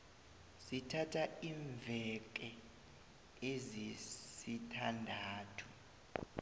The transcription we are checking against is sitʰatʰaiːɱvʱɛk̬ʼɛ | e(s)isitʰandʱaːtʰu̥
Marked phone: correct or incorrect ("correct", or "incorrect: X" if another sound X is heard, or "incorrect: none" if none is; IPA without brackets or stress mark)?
incorrect: z